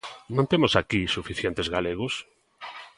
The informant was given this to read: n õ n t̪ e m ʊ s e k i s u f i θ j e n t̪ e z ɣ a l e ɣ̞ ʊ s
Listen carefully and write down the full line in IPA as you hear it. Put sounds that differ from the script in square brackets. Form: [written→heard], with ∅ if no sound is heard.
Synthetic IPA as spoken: n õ n t̪ e m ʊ s [e→a] k i s u f i θ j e n t̪ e z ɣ a l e ɣ̞ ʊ s